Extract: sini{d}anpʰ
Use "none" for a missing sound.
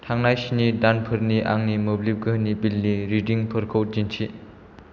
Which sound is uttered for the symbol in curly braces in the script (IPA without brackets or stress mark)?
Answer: d